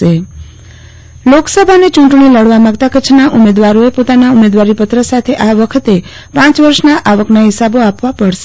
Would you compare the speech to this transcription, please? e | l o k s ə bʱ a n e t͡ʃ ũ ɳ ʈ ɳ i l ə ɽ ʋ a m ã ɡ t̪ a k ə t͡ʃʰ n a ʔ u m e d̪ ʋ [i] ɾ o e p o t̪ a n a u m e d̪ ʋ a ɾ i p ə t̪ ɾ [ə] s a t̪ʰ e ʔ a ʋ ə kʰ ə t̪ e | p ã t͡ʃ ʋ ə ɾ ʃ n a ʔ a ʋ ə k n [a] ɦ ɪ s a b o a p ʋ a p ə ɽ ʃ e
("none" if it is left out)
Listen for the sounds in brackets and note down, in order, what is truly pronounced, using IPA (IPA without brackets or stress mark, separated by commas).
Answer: a, ə, a